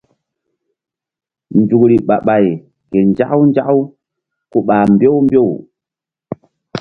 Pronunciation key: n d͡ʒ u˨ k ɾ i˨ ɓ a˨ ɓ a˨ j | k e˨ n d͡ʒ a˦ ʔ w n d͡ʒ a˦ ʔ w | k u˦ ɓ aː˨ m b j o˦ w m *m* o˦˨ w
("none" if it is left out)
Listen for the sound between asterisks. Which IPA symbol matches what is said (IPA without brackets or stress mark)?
b